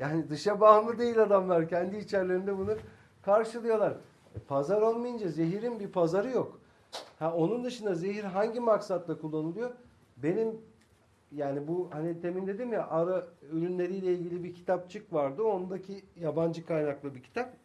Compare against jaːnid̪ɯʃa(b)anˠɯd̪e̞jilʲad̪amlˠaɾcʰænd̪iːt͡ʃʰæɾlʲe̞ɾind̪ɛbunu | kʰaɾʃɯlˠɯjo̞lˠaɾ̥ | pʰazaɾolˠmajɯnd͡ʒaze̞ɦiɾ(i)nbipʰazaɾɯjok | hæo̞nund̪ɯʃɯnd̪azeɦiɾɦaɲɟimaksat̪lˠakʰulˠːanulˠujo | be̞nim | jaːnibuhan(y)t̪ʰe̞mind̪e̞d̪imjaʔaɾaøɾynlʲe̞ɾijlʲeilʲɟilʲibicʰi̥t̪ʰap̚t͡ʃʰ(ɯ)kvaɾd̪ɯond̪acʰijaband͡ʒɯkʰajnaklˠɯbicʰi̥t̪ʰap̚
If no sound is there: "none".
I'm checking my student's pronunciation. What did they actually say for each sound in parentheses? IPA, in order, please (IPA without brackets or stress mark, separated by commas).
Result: b, i, i, ɯ